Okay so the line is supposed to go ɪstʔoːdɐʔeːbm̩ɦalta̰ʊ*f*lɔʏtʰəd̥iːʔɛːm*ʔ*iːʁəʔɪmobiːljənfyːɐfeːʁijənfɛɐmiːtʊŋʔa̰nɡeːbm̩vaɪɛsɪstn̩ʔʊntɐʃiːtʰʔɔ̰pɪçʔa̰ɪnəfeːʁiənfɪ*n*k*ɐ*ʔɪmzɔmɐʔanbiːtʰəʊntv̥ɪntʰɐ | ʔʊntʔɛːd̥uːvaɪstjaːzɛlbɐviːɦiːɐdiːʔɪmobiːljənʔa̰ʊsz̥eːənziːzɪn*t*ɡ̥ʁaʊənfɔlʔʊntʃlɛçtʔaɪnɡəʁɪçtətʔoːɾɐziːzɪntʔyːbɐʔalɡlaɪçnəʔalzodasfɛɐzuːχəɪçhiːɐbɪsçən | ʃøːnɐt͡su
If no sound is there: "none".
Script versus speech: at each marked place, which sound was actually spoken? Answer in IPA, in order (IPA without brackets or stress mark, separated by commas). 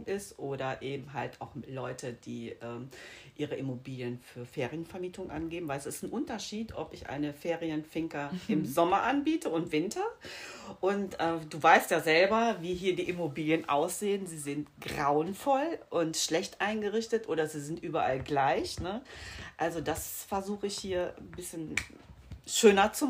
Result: x, ʔ, ŋ, ɐ, t